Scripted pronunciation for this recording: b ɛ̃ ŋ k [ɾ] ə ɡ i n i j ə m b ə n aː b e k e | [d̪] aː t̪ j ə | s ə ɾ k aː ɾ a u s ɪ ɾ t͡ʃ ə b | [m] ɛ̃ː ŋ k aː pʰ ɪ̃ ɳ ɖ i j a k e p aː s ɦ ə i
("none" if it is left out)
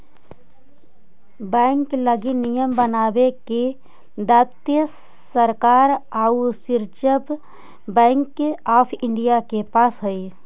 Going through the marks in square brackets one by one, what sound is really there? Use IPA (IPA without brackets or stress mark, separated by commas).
l, d̪, b